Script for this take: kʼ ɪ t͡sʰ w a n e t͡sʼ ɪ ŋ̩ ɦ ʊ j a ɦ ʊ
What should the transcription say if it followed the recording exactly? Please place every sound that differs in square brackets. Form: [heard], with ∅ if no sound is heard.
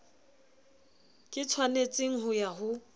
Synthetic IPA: kʼ ɪ t͡sʰ w a n e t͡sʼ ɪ ŋ̩ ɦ ʊ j a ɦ ʊ